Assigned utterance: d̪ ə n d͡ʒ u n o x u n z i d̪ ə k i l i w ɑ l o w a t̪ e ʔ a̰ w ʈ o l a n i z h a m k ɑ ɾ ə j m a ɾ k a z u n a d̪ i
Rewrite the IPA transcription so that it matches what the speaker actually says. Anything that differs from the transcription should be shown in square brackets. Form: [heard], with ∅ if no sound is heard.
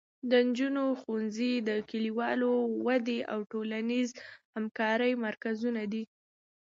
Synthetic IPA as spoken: d̪ ə n d͡ʒ u n o x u n z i d̪ ə k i l i w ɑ l o w a [d̪] e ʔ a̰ w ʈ o l a n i z h a m k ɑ ɾ ə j m a ɾ k a z u n a d̪ i